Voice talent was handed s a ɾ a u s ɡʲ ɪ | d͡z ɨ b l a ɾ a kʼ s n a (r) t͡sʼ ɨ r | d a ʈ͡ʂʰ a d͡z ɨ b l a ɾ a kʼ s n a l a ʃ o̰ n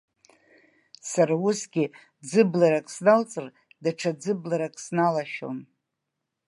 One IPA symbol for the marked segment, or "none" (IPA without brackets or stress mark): l